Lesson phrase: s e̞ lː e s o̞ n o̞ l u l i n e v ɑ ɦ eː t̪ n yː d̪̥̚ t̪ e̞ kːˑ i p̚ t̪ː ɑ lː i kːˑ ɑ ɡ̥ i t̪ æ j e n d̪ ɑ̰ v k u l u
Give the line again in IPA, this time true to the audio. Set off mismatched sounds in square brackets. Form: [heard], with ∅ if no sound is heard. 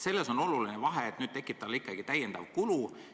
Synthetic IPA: s e̞ lː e s o̞ n o̞ l u l i n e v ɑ ɦ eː t̪ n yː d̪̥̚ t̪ e̞ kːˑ i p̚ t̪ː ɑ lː i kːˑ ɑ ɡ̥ i t̪ æ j e n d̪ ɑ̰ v k u l u